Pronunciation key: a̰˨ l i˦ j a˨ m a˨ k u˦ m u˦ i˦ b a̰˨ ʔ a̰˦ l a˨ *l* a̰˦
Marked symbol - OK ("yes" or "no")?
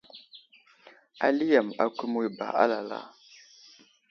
yes